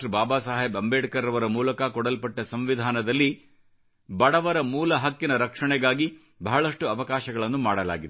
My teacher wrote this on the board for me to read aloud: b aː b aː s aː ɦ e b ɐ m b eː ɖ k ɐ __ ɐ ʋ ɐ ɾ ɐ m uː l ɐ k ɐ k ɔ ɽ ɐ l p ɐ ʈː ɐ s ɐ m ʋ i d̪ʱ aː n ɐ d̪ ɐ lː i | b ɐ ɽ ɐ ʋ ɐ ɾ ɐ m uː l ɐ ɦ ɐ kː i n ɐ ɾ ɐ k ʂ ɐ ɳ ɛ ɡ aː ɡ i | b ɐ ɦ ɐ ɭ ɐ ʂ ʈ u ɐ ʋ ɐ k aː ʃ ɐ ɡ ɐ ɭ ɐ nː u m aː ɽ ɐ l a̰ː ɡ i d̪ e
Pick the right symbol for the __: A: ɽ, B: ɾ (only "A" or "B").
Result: B